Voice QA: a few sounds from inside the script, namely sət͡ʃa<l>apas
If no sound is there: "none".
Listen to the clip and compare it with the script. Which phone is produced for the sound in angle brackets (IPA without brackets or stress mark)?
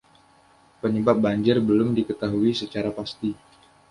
ɾ